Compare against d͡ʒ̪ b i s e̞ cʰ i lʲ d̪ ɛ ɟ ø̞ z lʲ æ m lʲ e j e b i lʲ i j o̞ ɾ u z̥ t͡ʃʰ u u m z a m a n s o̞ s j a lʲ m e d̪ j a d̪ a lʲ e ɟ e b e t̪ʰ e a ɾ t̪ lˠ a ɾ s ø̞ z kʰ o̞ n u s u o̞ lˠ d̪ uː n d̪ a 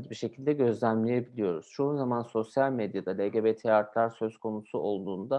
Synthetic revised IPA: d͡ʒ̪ b i ʃ e̞ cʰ i lʲ d̪ ɛ ɟ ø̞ z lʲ æ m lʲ e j e b i lʲ i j o̞ ɾ u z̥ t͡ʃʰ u u n z a m a n s o̞ s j a lʲ m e d̪ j a d̪ a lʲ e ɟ e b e t̪ʰ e a ɾ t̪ lˠ a ɾ s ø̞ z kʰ o̞ n u s u o̞ lˠ d̪ uː n d̪ a